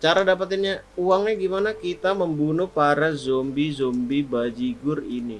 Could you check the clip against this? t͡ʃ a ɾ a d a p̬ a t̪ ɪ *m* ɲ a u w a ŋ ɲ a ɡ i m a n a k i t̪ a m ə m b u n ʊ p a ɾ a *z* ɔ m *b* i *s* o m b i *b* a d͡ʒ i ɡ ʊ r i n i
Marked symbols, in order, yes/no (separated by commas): no, yes, yes, no, yes